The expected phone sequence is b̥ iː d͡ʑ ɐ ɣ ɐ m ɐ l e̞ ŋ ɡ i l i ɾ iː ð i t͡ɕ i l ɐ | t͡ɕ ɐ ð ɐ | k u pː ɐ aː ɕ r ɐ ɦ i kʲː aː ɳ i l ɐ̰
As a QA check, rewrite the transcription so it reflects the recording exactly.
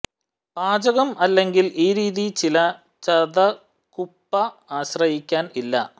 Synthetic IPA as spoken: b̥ aː d͡ʑ ɐ ɣ ɐ m ɐ lː e̞ ŋ ɡ i l iː ɾ iː ð i t͡ɕ i l ɐ | t͡ɕ ɐ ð ɐ | k u pː ɐ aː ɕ r ɐ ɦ i kʲː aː n i lː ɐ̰